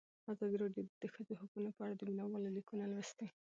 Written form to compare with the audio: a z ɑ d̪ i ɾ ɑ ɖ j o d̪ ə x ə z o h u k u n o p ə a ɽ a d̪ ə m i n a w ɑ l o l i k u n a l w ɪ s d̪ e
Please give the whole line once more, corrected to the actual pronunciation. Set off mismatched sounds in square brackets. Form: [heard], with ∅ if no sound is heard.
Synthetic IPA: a z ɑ d̪ i ɾ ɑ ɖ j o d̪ ə x ə z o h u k u n o p ə a ɽ a d̪ ə m i n a w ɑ l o l i k u n a l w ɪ s [t̪] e